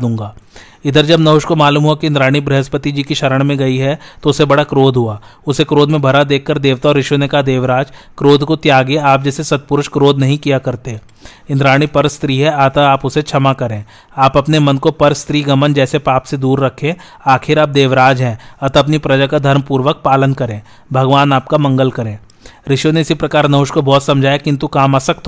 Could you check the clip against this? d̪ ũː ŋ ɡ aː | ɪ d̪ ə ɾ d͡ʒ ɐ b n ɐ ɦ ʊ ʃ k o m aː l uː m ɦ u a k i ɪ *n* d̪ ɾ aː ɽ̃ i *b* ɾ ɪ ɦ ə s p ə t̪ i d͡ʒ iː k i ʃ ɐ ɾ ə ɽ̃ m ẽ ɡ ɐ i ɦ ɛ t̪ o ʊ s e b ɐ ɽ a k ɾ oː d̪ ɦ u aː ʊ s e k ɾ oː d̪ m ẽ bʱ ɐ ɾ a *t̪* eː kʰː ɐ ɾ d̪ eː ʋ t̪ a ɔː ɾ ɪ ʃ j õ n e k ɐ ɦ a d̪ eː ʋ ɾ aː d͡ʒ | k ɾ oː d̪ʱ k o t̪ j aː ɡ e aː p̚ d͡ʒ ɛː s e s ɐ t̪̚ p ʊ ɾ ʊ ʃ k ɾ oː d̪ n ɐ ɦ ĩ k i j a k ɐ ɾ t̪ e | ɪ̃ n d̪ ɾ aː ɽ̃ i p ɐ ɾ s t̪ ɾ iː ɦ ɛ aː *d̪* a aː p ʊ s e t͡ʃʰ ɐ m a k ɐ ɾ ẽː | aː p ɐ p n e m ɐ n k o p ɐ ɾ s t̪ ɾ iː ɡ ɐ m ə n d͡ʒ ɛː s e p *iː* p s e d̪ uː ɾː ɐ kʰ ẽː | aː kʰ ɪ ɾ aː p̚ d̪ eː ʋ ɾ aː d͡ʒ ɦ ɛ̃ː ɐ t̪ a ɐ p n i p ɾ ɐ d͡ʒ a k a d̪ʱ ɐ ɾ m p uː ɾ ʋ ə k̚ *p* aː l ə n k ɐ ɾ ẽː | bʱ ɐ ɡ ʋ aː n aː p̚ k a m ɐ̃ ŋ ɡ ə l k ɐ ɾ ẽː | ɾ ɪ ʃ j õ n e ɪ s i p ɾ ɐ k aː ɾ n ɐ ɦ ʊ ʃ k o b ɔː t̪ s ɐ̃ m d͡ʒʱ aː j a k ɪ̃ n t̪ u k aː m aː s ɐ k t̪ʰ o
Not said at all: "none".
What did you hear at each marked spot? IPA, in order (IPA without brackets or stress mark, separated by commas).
n, b, d̪, t̪, aː, p